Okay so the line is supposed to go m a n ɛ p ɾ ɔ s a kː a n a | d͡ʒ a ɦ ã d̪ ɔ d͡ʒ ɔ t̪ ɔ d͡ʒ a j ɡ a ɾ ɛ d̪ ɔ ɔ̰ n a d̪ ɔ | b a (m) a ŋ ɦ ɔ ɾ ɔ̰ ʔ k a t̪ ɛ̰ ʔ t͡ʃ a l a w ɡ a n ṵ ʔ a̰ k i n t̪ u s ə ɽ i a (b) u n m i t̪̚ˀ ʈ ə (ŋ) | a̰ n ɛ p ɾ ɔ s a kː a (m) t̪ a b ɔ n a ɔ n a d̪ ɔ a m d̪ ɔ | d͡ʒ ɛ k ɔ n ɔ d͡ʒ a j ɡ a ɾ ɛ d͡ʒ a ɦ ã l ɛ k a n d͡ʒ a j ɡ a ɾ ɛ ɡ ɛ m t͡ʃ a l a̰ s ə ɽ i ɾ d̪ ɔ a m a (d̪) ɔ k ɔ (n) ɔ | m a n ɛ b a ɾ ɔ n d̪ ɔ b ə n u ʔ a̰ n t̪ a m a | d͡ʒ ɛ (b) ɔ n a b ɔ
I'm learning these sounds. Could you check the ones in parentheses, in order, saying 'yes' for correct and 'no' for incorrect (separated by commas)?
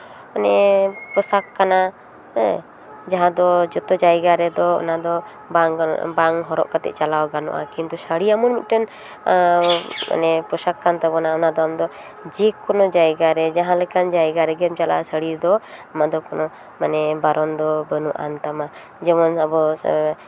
no, no, no, no, yes, yes, no